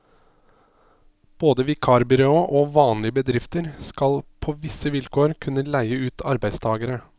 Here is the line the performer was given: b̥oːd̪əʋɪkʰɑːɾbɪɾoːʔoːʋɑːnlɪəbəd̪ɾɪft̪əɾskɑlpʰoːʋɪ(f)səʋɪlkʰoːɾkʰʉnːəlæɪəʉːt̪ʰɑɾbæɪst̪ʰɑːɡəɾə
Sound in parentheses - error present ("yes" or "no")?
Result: yes